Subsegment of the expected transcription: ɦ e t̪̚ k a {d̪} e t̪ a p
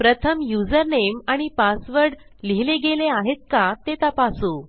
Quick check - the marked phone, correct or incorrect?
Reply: incorrect